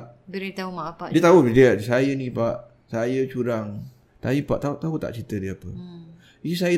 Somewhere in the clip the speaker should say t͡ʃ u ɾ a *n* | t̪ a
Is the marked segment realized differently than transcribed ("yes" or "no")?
yes